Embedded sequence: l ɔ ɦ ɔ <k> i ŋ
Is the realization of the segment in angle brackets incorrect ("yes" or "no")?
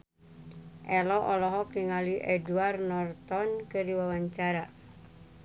no